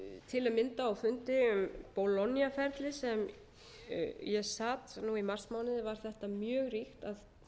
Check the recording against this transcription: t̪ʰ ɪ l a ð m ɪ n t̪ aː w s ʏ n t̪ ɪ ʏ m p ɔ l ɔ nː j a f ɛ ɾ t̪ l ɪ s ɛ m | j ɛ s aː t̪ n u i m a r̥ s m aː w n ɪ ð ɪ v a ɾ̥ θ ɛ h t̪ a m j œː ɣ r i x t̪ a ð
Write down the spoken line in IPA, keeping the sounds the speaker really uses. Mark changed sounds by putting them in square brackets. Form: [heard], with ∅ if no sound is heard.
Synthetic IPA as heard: t̪ʰ ɪ l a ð m ɪ n t̪ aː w [f] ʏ n t̪ ɪ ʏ m p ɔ l ɔ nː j a f ɛ ɾ t̪ l ɪ s ɛ m | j ɛ s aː t̪ n u i m a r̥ s m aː w n ɪ ð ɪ v a ɾ̥ θ ɛ h t̪ a m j œː ɣ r i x t̪ a ð